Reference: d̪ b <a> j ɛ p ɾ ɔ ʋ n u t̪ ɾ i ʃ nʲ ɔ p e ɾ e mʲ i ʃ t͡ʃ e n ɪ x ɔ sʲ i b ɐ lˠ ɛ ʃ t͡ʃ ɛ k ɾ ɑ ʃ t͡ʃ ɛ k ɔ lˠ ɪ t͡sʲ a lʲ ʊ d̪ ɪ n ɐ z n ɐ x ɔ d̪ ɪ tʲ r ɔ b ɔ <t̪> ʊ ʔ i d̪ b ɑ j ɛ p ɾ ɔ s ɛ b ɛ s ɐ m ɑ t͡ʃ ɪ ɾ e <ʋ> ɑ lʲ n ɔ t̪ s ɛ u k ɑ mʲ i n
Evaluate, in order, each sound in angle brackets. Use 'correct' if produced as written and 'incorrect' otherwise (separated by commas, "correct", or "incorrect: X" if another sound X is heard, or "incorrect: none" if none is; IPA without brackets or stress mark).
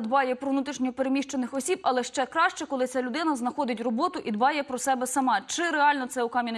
incorrect: ɑ, correct, incorrect: none